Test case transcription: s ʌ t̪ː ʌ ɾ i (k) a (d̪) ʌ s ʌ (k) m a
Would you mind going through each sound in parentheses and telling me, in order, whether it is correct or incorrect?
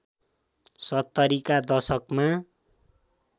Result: correct, correct, correct

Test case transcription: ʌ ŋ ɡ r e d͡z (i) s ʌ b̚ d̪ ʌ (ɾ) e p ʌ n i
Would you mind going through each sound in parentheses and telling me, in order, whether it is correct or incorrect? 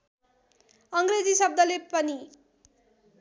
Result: correct, incorrect

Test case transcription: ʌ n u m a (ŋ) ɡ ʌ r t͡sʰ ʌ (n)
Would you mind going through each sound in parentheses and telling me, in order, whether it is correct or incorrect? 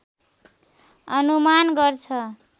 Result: incorrect, incorrect

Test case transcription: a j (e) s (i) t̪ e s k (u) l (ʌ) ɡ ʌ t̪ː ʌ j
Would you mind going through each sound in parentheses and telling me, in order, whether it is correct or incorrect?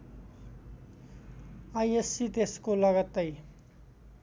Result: correct, correct, incorrect, correct

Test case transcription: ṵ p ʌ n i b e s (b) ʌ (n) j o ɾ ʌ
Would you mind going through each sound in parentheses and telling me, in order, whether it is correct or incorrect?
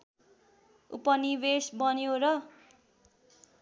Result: correct, correct

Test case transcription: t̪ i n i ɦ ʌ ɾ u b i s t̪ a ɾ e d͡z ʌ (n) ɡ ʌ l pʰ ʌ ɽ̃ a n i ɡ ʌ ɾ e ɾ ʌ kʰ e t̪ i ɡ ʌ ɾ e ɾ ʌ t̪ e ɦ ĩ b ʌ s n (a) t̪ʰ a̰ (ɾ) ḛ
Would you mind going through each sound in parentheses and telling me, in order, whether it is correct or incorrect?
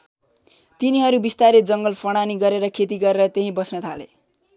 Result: incorrect, incorrect, incorrect

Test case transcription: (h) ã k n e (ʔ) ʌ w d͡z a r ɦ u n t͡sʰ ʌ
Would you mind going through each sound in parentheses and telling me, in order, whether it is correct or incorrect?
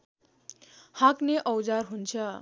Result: correct, correct

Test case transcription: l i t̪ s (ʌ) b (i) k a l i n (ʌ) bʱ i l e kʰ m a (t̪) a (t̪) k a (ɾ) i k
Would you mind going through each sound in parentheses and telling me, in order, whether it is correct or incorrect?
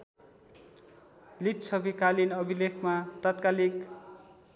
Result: correct, correct, correct, correct, correct, incorrect

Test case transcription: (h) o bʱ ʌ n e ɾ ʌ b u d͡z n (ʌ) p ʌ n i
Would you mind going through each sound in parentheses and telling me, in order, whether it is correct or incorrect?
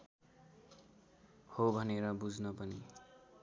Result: correct, correct

